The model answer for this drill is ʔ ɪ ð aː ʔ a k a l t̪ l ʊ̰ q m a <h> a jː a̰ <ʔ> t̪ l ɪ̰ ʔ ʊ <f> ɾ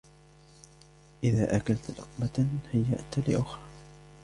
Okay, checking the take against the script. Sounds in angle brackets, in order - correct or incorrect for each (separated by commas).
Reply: correct, correct, incorrect